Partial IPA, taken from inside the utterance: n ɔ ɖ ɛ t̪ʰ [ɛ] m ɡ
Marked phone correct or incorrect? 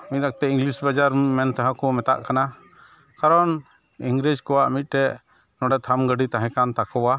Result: incorrect: a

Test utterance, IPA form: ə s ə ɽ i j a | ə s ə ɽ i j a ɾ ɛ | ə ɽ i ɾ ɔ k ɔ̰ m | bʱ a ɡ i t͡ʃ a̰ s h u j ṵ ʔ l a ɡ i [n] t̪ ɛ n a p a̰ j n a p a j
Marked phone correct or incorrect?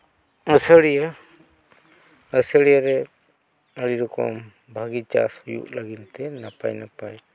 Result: correct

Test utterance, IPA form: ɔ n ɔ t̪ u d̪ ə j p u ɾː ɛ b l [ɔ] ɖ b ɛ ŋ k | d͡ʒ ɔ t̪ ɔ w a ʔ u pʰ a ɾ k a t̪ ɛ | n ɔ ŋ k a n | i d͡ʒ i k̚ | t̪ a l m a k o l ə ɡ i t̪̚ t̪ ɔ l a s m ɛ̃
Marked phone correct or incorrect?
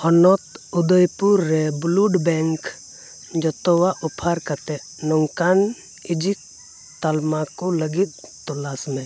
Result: incorrect: u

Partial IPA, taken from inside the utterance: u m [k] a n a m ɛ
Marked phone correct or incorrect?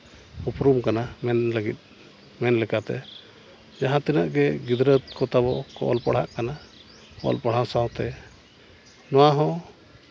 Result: correct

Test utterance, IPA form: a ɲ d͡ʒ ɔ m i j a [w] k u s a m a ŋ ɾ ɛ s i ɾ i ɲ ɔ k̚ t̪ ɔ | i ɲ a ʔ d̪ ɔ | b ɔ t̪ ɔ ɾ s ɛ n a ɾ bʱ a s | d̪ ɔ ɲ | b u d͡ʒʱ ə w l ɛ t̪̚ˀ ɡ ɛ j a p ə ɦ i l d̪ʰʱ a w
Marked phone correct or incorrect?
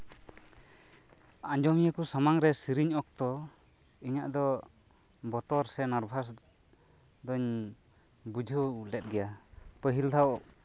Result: incorrect: none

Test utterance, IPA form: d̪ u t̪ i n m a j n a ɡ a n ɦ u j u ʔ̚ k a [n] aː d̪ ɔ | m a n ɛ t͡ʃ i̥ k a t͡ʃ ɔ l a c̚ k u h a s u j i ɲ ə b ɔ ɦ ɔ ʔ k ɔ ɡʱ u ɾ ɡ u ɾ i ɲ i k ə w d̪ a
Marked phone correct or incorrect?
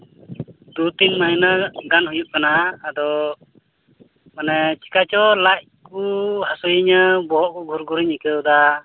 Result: correct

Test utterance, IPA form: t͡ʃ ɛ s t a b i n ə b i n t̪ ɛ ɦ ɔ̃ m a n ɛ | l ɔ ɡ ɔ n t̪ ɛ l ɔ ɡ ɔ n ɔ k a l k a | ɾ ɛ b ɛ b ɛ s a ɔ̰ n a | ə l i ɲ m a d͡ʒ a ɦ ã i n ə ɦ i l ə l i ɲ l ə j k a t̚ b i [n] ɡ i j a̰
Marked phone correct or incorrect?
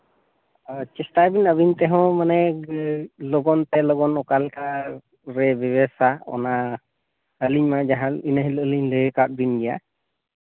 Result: correct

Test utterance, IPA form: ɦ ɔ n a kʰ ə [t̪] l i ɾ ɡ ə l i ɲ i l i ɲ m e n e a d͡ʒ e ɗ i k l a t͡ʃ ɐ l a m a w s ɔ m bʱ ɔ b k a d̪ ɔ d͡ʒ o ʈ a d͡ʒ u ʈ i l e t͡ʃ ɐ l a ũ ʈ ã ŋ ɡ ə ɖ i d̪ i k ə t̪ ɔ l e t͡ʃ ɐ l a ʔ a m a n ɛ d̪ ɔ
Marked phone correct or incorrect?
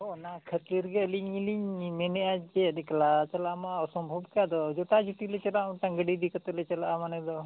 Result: correct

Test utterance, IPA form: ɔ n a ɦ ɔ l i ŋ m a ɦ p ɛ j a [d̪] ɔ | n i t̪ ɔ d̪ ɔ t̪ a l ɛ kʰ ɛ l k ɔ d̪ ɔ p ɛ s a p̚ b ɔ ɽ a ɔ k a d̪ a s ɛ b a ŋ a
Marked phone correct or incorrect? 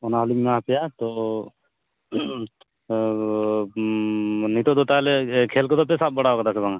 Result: incorrect: t̪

